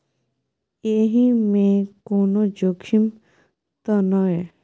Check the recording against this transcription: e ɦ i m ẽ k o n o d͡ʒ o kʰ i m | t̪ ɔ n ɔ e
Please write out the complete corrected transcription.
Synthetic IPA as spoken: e ɦ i m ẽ k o n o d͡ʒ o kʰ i m | t̪ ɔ n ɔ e